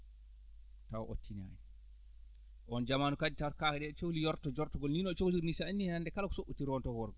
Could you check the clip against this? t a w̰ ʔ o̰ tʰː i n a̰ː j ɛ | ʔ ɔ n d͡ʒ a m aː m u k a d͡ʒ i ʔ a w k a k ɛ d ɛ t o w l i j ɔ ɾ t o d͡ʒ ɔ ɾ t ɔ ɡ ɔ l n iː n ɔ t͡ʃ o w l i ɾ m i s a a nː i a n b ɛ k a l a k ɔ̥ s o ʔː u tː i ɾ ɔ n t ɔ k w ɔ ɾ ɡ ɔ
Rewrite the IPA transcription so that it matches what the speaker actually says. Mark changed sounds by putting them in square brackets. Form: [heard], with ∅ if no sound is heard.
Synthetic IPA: t a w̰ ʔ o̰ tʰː i n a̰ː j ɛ | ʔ ɔ n d͡ʒ a m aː [n] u k a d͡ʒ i [t] a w k a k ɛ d ɛ [t͡ʃ] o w l i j ɔ ɾ t [ɔ] d͡ʒ ɔ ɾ t ɔ ɡ ɔ l n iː n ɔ t͡ʃ o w l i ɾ [n] i s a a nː i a n [d] ɛ k a l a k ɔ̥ s o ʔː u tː i ɾ ɔ n t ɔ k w ɔ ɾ ɡ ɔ